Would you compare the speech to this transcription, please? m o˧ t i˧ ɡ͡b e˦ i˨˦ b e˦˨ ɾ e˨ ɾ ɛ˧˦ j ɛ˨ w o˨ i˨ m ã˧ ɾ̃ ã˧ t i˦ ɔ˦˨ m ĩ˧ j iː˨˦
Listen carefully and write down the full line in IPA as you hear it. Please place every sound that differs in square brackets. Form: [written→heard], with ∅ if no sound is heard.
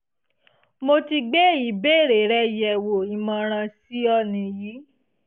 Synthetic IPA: m o˧ t i˧ ɡ͡b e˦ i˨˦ b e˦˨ ɾ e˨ ɾ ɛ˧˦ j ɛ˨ w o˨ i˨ m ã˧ ɾ̃ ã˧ [t→s] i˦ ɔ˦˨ [m→n] ĩ˧ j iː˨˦